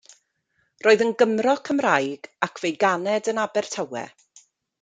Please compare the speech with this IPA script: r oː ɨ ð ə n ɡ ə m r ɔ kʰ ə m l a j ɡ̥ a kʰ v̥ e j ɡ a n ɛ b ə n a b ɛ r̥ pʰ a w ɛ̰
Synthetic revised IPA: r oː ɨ ð ə n ɡ ə m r ɔ kʰ ə m r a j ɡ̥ a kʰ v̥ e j ɡ a n ɛ d ə n a b ɛ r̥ tʰ a w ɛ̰